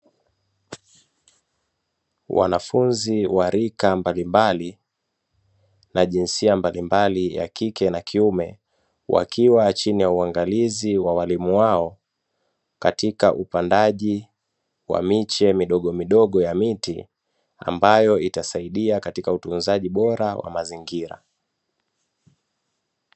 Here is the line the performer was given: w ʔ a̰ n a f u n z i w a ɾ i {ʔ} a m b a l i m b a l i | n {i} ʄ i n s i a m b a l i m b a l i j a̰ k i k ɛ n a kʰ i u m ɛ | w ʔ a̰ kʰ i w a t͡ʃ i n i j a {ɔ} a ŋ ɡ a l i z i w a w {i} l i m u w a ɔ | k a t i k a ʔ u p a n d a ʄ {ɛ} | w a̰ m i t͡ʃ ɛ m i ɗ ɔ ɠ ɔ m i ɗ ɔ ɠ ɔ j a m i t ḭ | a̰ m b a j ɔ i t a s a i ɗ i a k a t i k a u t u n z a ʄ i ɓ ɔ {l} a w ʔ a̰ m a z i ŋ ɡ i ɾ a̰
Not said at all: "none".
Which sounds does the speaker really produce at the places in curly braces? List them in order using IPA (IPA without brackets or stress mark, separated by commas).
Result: k, a, u, a, i, ɾ